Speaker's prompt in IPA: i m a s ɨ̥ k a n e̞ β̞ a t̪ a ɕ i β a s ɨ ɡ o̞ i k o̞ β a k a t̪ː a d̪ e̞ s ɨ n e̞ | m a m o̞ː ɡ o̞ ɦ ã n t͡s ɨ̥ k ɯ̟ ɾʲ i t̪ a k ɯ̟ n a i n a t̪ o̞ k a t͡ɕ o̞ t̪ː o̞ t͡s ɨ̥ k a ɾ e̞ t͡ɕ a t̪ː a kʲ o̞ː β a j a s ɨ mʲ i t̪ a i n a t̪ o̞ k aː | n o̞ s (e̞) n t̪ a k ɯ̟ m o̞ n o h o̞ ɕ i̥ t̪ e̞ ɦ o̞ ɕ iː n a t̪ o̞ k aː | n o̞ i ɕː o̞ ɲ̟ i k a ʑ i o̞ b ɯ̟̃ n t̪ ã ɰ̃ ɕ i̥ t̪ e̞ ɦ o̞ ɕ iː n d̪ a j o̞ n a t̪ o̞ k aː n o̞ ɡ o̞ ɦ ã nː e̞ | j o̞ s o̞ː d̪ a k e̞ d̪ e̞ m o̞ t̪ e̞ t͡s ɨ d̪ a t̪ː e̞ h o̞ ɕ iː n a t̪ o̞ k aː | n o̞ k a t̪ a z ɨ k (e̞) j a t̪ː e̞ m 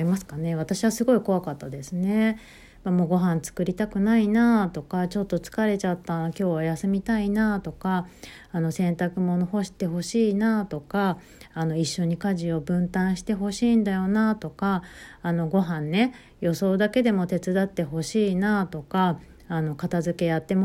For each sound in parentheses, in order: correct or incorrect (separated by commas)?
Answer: incorrect, correct